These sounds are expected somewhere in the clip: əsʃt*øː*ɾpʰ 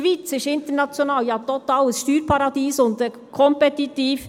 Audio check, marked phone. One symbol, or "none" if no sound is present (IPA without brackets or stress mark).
yː